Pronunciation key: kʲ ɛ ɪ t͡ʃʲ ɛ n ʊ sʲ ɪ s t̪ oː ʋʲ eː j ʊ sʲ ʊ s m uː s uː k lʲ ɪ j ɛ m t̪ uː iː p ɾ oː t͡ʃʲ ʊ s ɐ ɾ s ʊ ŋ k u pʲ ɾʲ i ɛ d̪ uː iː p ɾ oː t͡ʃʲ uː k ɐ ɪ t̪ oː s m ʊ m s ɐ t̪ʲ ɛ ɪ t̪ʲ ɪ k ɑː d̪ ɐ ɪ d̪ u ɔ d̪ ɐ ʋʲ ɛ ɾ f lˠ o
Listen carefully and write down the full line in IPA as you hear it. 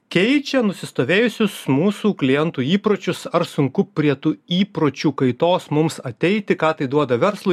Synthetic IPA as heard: kʲ ɛ ɪ t͡ʃʲ ɛ n ʊ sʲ ɪ s t̪ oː ʋʲ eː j ʊ sʲ ʊ s m uː s uː k lʲ ɪ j ɛ n t̪ uː iː p ɾ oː t͡ʃʲ ʊ s ɐ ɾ s ʊ ŋ k ʊ pʲ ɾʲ i ɛ t̪ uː iː p ɾ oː t͡ʃʲ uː k ɐ ɪ t̪ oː s m ʊ m s ɐ t̪ʲ ɛ ɪ t̪ʲ ɪ k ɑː t̪ ɐ ɪ d̪ u ɔ d̪ ɐ ʋʲ ɛ ɾ s lˠ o

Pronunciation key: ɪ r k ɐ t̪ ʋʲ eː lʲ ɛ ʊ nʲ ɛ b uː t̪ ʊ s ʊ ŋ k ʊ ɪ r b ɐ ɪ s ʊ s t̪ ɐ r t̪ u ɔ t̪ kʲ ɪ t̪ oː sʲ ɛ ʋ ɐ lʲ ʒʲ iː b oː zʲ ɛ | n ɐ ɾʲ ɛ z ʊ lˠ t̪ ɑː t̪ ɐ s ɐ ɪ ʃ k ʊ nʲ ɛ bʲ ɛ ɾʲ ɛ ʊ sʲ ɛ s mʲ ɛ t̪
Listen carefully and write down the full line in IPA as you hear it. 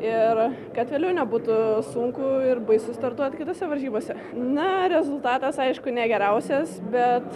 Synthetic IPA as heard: ɪ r k ɐ t̪ ʋʲ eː lʲ ɛ ʊ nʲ ɛ b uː t̪ ʊ s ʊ ŋ k ʊ ɪ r b ɐ ɪ s ʊ s t̪ ɐ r t̪ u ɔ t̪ kʲ ɪ t̪ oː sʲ ɛ ʋ ɐ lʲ ʒʲ iː b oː sʲ ɛ | n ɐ ɾʲ ɛ z ʊ lˠ t̪ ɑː t̪ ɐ s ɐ ɪ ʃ k ʊ nʲ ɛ ɡʲ ɛ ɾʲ ɛ ʊ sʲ ɛ s bʲ ɛ t̪

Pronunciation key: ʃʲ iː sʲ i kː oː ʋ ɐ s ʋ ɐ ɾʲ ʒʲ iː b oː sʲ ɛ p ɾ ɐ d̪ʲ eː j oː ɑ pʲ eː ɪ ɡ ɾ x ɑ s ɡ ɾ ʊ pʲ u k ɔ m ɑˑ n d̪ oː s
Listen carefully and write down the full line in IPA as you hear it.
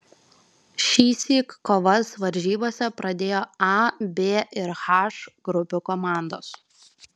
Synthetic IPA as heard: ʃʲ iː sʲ i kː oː ʋ ɐ s ʋ ɐ ɾʲ ʒʲ iː b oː sʲ ɛ p ɾ ɐ d̪ʲ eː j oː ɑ bʲ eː ɪ ɾ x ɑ ʃ ɡ ɾ ʊ pʲ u k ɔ m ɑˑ n d̪ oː s

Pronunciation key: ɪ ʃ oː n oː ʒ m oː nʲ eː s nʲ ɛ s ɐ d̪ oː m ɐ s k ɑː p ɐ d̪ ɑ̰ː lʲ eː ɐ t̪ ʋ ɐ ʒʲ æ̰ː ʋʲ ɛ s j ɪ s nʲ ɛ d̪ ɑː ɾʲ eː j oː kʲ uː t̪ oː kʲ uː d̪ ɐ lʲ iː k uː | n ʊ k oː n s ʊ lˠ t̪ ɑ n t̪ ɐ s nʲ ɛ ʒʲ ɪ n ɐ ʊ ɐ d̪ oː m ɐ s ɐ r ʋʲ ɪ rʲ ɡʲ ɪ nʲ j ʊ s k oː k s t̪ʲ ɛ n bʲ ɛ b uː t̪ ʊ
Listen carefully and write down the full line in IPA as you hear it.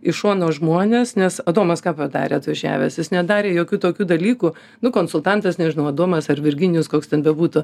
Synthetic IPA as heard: ɪ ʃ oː n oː ʒ m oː nʲ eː s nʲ ɛ s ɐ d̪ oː m ɐ s k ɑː p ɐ d̪ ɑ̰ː ɾʲ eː ɐ t̪ ʋ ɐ ʒʲ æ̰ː ʋʲ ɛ s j ɪ s nʲ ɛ d̪ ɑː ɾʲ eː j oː kʲ uː t̪ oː kʲ uː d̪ ɐ lʲ iː k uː | n ʊ k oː n s ʊ lˠ t̪ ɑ n t̪ ɐ s nʲ ɛ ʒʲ ɪ n ɐ ʊ ɐ d̪ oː m ɐ s ɐ r ʋʲ ɪ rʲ ɡʲ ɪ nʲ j ʊ s k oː k s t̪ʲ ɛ n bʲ ɛ b uː t̪ ʊ

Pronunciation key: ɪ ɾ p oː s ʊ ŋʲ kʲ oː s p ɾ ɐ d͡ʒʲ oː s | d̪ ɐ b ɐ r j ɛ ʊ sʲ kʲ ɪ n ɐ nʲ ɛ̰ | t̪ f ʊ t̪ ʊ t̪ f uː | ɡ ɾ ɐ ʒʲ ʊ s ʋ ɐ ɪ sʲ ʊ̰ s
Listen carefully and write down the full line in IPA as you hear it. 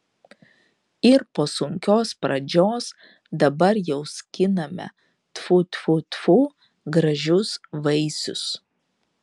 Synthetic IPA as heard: ɪ ɾ p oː s ʊ ŋʲ kʲ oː s p ɾ ɐ d͡ʒʲ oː s | d̪ ɐ b ɐ ɾ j ɛ ʊ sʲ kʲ ɪ n ɐ mʲ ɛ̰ | t̪ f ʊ t̪ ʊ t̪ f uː | ɡ ɾ ɐ ʒʲ ʊ s ʋ ɐ ɪ sʲ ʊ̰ s

